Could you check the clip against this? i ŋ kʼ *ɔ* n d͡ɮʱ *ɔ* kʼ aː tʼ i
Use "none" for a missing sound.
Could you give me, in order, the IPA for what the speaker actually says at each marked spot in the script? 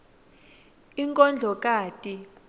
ɔ, ɔ

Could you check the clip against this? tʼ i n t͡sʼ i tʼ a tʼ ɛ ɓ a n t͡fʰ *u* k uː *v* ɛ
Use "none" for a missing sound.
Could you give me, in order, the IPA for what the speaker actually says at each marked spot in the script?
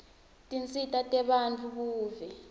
u, v

